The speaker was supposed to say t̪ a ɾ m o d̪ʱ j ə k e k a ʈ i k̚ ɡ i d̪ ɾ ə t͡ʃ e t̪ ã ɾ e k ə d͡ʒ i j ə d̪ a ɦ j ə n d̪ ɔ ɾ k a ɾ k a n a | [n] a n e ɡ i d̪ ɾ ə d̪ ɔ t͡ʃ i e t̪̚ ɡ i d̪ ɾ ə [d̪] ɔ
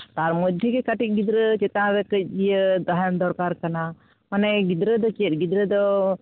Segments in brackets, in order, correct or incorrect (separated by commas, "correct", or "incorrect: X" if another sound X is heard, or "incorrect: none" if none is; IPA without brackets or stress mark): incorrect: m, correct